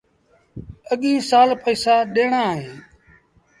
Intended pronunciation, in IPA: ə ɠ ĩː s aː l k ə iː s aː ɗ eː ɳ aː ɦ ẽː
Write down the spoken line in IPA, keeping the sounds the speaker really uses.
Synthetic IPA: ə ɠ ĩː s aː l p ə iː s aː ɗ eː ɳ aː ɦ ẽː